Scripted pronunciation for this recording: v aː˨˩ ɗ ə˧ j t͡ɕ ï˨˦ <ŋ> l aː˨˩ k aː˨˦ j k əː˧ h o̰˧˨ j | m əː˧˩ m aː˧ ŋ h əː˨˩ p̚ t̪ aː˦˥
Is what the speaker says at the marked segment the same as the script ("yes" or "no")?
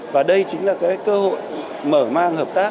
yes